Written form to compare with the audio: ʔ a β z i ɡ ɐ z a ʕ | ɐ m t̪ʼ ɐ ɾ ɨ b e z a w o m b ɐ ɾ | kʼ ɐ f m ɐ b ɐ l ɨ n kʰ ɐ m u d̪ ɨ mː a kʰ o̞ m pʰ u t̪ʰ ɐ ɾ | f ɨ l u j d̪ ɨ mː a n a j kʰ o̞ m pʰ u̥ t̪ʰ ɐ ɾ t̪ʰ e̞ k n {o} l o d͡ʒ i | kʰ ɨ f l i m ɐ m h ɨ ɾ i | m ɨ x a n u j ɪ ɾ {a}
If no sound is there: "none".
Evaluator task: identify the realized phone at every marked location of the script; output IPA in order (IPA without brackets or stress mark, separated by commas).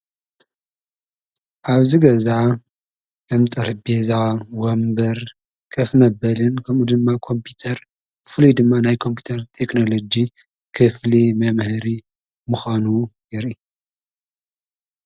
o, i